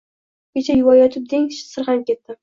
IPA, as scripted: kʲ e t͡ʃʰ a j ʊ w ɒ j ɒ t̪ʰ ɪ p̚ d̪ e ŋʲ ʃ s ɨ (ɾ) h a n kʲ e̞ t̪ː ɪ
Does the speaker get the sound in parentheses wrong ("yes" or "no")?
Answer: no